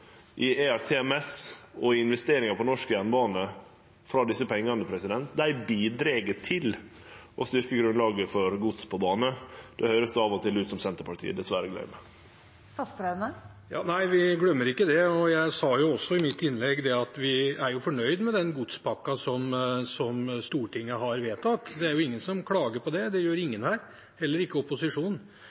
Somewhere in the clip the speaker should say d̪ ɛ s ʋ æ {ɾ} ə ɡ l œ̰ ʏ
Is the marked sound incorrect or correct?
correct